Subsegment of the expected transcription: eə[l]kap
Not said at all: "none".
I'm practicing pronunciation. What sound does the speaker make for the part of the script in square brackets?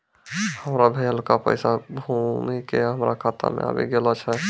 l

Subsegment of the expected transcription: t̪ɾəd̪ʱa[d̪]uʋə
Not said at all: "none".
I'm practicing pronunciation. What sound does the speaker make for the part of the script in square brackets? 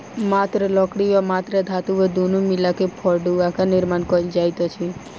t̪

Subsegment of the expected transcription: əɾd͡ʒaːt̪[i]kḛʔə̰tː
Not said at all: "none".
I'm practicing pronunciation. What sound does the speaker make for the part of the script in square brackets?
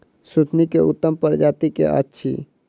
i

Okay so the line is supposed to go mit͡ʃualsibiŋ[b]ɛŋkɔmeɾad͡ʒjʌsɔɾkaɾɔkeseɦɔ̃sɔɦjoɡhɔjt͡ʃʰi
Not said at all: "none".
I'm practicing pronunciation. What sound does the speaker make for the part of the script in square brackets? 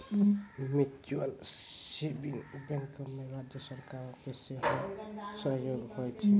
b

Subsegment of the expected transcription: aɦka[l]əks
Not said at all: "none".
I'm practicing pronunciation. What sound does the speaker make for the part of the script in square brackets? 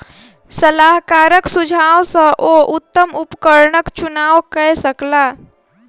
ɾ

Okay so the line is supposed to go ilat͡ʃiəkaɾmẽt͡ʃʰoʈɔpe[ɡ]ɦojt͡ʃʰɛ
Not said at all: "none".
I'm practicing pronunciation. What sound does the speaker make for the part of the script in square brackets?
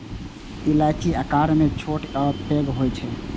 ɡ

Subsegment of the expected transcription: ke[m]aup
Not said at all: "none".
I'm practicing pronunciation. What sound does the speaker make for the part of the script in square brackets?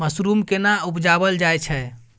n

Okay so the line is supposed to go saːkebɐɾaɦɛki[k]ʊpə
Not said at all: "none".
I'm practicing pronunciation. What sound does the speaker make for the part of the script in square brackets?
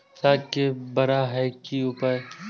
none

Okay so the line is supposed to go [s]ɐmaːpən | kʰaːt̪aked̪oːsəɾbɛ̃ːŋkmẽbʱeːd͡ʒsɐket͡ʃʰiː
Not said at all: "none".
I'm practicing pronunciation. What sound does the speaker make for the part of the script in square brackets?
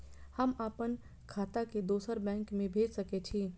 h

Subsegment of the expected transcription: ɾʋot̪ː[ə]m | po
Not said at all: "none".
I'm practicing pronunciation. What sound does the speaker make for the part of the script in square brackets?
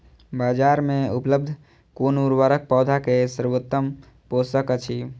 ə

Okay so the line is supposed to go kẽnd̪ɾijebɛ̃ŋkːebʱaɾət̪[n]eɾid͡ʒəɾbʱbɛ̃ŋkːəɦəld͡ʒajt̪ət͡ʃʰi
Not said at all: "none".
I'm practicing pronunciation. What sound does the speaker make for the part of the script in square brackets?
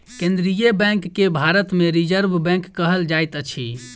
m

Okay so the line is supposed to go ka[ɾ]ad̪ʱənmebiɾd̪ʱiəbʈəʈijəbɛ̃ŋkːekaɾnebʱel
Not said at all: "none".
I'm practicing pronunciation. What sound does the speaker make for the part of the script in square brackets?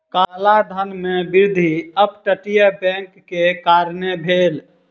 l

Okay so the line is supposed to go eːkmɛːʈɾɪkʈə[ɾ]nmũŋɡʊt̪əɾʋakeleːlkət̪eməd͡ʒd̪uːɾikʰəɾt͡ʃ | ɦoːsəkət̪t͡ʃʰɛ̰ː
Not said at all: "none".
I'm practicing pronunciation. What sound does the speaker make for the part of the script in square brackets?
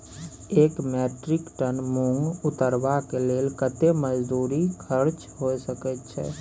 none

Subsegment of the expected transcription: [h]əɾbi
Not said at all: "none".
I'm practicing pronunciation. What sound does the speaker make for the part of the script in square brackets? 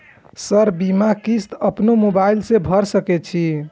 s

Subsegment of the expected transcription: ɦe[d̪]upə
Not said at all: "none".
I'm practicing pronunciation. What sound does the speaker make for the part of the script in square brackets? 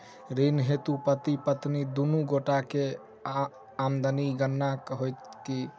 t̪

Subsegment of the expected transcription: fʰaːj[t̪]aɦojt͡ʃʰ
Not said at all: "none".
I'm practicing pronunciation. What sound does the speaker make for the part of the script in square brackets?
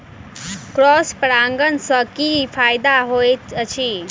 d̪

